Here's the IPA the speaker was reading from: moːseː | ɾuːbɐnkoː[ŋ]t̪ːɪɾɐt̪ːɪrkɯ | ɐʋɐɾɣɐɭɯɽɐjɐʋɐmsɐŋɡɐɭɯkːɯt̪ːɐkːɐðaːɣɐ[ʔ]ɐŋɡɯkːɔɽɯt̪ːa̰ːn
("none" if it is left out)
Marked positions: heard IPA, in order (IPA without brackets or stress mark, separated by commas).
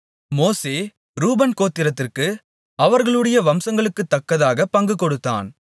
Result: none, p